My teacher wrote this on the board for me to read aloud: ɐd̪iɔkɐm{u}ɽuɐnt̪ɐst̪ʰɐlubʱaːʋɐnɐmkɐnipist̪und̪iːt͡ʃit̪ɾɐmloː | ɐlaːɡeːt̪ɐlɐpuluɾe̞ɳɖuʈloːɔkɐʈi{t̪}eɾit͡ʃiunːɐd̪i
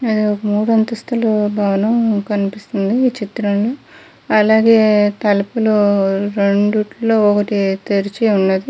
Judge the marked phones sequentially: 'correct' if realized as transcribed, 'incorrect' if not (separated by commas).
incorrect, correct